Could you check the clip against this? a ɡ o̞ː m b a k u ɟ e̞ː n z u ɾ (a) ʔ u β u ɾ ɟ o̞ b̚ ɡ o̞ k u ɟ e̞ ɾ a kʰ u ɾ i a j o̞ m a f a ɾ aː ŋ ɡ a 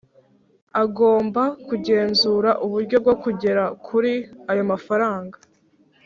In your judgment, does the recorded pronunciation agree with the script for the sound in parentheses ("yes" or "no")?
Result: yes